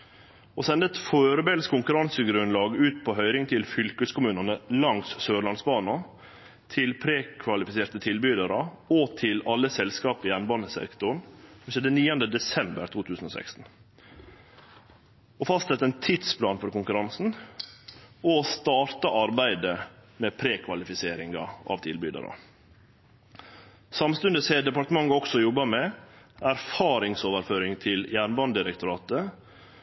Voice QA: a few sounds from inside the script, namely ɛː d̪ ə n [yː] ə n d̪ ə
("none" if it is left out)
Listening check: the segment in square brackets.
iː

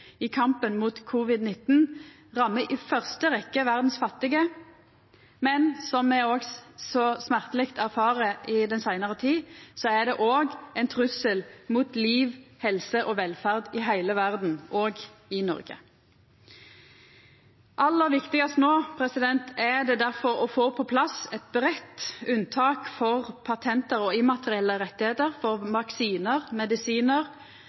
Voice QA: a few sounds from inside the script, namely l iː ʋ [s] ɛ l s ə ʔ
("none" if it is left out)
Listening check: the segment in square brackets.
h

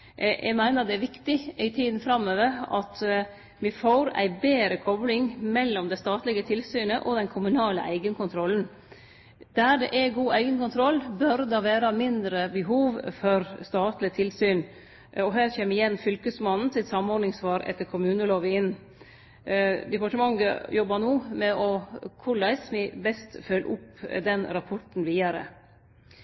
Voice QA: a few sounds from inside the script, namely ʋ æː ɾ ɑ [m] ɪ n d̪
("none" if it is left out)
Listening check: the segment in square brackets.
m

